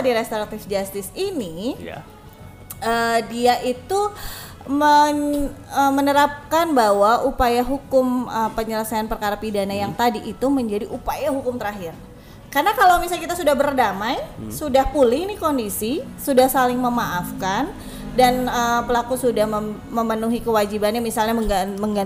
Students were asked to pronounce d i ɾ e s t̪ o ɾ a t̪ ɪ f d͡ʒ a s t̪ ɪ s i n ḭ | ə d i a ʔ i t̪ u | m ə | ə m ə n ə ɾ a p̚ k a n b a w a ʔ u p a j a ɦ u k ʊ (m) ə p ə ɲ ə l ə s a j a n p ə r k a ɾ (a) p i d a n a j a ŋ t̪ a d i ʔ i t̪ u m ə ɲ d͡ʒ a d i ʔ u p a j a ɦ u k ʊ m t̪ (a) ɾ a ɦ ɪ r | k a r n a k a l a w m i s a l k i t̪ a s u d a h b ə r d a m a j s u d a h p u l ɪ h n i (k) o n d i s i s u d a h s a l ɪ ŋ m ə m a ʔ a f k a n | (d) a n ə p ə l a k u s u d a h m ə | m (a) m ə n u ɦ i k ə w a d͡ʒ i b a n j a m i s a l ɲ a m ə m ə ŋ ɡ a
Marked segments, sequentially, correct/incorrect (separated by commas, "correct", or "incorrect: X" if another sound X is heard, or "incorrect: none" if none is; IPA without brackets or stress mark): correct, correct, incorrect: ə, correct, correct, incorrect: ə